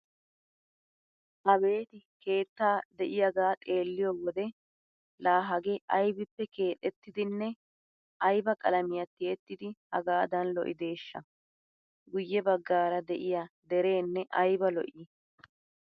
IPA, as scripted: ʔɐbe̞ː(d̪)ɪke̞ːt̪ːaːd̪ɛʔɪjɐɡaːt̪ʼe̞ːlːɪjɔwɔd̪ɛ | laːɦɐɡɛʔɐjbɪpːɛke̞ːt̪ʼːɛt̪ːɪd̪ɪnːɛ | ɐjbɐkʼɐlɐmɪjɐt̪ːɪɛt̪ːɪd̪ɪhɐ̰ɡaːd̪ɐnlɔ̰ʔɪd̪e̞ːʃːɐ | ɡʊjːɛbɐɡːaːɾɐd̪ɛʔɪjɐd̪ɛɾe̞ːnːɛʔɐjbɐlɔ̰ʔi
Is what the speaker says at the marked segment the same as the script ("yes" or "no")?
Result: no